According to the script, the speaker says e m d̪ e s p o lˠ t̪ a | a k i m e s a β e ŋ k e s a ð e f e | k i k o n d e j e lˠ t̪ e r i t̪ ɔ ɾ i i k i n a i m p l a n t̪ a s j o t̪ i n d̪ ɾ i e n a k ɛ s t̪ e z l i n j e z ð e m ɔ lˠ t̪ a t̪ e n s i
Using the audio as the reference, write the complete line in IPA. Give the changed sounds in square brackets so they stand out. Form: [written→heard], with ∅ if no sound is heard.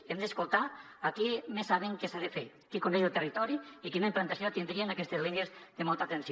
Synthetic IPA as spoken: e m d̪ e s [p→k] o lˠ t̪ a | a k i m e s a β e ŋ k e s a ð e f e | k i k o n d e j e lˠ t̪ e r i t̪ ɔ ɾ i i k i n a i m p l a n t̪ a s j o t̪ i n d̪ ɾ i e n a k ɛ s t̪ e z l i n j e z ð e m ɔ lˠ t̪ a t̪ e n s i